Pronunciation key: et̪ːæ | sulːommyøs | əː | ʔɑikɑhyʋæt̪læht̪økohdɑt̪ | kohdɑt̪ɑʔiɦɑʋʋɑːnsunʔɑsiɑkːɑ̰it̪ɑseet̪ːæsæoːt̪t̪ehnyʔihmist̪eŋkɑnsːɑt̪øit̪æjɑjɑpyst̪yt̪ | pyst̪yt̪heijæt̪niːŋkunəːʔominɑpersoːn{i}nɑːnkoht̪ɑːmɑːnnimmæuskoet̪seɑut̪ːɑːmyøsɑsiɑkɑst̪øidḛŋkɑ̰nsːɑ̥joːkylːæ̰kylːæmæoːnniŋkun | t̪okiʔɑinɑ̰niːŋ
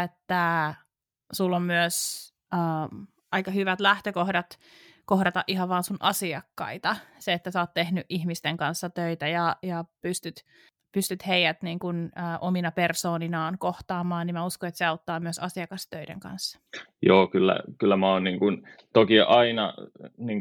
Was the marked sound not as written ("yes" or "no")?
no